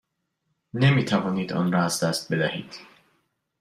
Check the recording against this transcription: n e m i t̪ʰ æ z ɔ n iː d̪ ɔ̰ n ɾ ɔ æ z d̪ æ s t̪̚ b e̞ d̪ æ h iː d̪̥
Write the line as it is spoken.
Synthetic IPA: n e m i t̪ʰ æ v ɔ n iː d̪ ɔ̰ n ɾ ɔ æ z d̪ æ s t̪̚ b e̞ d̪ æ h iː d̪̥